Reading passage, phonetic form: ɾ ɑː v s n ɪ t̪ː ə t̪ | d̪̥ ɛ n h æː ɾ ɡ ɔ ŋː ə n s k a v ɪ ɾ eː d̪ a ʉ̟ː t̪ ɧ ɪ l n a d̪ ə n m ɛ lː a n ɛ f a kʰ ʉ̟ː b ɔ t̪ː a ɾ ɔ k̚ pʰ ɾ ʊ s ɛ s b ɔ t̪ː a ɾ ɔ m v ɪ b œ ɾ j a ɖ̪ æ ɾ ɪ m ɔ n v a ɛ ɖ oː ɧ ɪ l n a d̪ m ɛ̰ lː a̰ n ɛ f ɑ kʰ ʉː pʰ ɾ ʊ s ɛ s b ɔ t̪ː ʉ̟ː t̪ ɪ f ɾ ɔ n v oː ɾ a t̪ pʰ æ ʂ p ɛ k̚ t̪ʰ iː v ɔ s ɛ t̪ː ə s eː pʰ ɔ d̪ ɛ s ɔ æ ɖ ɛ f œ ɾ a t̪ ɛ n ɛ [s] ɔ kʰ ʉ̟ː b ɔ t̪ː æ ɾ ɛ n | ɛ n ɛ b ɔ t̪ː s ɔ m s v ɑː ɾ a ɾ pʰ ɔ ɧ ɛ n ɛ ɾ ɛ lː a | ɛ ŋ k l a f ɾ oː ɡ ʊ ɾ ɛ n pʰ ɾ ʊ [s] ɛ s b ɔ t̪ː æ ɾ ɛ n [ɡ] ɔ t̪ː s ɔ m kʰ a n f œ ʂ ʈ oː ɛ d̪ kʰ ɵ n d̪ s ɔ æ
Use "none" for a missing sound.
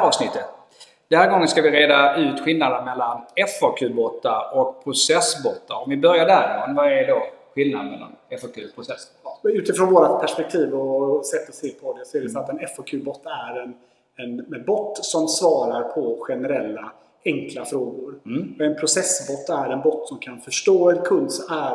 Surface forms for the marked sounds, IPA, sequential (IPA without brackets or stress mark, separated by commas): f, s, b